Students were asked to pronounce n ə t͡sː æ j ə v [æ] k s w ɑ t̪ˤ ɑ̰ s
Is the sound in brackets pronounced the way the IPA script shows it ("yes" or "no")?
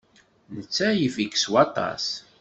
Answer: no